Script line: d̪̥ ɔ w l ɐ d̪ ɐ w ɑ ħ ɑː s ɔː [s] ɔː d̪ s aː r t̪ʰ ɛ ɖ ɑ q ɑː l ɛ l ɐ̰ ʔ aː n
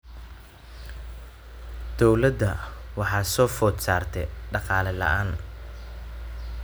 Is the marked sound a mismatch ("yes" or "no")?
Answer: yes